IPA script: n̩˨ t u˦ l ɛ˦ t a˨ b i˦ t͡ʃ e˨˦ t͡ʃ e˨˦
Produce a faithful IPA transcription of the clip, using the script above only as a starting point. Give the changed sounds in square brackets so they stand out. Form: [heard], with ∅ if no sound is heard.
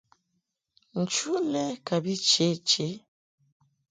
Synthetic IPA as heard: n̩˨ [t͡ʃ] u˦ l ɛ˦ [k] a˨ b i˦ t͡ʃ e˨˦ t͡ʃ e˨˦